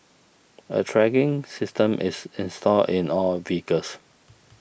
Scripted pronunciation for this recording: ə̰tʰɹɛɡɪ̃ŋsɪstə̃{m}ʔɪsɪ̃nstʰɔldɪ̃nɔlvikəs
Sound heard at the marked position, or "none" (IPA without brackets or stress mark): m